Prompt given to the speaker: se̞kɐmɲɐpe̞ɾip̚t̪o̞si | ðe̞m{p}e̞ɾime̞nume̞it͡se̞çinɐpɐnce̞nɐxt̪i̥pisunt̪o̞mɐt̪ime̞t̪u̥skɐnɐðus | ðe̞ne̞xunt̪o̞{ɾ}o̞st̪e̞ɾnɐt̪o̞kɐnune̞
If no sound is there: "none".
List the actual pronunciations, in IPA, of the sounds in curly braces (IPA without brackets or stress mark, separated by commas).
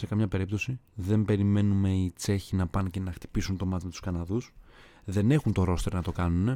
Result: b, ɾ